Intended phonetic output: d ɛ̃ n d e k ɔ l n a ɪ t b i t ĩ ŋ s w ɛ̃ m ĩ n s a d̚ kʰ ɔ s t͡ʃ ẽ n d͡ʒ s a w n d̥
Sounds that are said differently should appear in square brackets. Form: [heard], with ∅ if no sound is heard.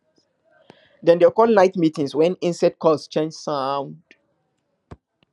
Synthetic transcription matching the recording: d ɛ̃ n d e k ɔ l n a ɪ t [m] i t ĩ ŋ s w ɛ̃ [n] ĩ n s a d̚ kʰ ɔ s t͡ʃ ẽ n d͡ʒ s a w n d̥